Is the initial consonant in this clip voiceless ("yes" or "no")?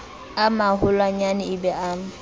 no